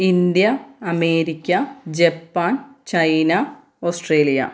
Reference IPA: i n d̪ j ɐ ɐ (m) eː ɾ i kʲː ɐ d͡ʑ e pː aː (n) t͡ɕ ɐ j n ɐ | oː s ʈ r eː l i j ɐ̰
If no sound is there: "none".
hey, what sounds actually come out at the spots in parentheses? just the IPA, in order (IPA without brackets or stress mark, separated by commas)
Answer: m, n